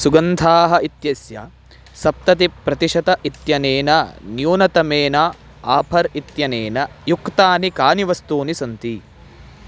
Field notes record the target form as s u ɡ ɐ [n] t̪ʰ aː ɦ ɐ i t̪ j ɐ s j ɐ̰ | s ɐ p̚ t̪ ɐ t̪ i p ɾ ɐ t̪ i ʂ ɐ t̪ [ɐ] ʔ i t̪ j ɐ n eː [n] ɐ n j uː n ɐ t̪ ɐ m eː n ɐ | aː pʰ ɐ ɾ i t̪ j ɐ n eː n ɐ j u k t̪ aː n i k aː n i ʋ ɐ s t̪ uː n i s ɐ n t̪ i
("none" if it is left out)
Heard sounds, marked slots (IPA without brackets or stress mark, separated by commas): n, ɐ, n